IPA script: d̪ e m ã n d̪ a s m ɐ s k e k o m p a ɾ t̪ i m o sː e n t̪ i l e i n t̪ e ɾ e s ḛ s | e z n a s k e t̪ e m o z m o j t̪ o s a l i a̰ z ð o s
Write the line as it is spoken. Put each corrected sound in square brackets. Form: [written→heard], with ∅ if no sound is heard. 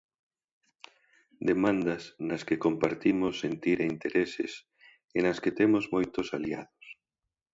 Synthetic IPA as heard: d̪ e m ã n d̪ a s [m→n] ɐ s k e k o m p a ɾ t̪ i m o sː e n t̪ i [l→ɾ] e i n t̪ e ɾ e s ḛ s | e [z→∅] n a s k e t̪ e m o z m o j t̪ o s a l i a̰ [z→∅] ð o s